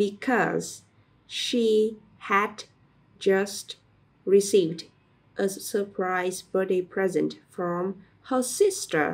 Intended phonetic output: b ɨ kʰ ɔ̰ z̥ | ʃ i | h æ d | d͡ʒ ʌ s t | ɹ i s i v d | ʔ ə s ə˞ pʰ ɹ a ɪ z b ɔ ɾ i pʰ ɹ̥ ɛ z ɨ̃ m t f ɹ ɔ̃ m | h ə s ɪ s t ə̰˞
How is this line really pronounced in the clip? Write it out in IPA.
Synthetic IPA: b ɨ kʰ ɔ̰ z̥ | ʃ i | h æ d | d͡ʒ ʌ s t | ɹ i s i v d | ʔ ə s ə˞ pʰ ɹ a ɪ z b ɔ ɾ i pʰ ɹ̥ ɛ z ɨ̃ n t f ɹ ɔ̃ m | h ə s ɪ s t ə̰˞